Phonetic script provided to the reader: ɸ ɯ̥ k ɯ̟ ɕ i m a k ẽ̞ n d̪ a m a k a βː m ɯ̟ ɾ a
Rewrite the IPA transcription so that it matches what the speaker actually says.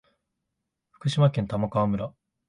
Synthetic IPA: ɸ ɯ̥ k ɯ̟ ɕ i m a k ẽ̞ n t̪ a m a k a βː m ɯ̟ ɾ a